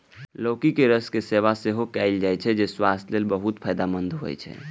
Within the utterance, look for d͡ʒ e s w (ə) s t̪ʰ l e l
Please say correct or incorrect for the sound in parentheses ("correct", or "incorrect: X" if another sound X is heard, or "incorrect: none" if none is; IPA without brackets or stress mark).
incorrect: a